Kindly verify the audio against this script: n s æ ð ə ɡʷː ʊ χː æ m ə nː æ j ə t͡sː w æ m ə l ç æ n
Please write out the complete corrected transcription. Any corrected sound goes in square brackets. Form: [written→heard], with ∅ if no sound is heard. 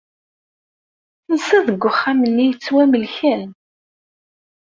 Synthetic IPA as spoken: n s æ ð ə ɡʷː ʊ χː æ m ə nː [æ→i] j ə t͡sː w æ m ə l ç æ n